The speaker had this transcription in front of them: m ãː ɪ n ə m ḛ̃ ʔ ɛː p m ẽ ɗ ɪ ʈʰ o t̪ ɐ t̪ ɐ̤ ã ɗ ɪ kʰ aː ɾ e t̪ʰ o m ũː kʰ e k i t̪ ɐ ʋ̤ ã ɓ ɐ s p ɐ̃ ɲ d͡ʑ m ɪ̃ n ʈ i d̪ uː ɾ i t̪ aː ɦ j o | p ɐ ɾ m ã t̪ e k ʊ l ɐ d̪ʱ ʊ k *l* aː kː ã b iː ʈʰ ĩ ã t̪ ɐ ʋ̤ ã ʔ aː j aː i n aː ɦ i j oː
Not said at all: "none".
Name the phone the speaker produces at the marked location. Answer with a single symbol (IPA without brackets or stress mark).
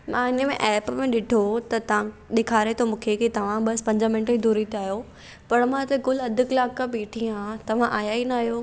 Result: l